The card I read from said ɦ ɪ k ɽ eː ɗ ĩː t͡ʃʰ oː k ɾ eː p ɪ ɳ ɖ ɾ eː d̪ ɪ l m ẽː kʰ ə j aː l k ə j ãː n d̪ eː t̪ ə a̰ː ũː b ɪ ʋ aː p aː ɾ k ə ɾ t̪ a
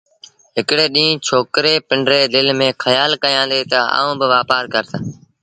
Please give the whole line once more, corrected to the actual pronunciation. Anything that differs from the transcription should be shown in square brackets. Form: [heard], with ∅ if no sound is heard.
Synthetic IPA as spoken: ɦ ɪ k ɽ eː ɗ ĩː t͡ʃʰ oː k ɾ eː p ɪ ɳ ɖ ɾ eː d̪ ɪ l m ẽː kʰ ə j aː l k ə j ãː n d̪ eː t̪ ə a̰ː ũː b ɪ ʋ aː p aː ɾ k ə ɾ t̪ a